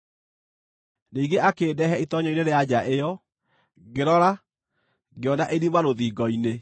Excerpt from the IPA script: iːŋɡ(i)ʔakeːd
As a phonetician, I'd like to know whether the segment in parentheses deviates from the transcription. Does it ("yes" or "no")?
yes